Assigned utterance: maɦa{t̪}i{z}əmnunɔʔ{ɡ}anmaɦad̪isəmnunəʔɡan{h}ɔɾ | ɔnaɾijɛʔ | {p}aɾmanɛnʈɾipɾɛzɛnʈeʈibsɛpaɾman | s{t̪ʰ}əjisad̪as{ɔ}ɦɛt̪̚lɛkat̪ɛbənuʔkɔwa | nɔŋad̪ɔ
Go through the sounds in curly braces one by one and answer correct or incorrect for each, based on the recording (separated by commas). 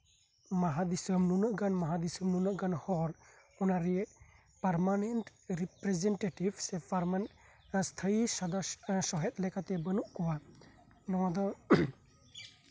incorrect, incorrect, correct, correct, correct, correct, correct